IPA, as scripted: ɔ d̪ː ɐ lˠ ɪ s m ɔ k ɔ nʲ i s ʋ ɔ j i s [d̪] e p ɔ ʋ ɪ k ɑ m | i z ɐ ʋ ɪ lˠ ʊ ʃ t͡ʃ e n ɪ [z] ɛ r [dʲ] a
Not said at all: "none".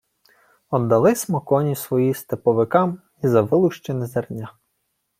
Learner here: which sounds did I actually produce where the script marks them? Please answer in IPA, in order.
t̪, z, nʲ

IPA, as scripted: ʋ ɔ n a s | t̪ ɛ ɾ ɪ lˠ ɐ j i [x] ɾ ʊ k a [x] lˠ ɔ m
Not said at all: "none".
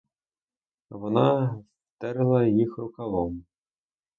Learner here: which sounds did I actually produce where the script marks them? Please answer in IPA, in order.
x, none

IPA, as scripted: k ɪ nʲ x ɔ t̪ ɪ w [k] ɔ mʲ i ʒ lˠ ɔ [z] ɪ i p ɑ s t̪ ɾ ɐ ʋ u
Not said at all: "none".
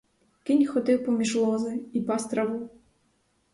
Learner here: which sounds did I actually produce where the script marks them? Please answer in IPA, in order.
p, z

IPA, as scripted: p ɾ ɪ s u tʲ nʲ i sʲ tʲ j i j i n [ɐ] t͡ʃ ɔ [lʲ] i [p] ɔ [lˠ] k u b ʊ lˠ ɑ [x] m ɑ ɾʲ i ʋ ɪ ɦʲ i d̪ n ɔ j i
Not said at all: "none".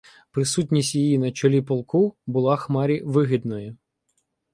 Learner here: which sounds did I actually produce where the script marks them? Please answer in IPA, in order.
ɐ, lʲ, p, lˠ, x

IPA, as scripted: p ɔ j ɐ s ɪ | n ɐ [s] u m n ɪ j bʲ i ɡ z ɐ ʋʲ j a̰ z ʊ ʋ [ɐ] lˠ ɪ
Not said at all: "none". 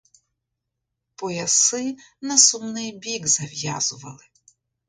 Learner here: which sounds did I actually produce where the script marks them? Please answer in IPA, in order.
s, ɐ

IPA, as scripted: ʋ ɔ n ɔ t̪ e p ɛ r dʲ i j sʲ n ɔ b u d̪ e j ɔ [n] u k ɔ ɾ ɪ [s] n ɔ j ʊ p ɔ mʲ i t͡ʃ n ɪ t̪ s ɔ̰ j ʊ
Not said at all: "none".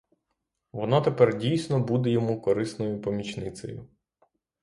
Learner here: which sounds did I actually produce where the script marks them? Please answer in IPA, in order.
m, s

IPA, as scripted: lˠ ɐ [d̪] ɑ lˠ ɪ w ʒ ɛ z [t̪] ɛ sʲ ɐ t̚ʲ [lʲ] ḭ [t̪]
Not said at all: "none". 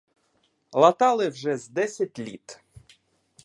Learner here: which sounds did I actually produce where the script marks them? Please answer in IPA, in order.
t̪, d̪, lʲ, t̪

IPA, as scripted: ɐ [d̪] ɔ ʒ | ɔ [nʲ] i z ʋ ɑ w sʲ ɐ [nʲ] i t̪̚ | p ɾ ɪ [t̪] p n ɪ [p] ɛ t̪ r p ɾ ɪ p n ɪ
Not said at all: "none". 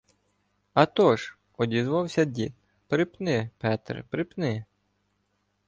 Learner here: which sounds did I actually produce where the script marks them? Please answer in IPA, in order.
t̪, dʲ, dʲ, none, p

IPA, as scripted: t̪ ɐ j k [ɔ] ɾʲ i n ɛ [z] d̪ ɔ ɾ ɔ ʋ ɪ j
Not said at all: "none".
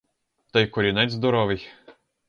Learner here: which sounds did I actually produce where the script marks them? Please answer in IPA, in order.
ɔ, z

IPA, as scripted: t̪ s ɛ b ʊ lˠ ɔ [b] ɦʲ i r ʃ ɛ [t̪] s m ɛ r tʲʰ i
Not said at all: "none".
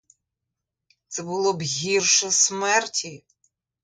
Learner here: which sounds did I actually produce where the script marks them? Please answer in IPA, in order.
b, none

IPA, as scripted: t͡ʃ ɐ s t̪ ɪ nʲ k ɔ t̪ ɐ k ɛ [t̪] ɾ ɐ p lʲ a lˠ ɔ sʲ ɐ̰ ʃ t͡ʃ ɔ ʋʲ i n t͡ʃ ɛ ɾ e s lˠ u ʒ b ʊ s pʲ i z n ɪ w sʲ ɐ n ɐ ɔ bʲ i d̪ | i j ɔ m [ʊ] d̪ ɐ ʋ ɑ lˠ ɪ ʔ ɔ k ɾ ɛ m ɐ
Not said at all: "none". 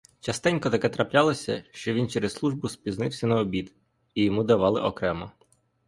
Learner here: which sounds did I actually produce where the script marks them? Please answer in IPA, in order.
t̪, u

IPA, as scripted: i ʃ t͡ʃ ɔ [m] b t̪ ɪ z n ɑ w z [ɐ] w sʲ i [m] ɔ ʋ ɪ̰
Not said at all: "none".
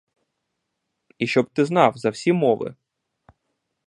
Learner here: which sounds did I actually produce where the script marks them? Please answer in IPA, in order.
none, ɐ, m

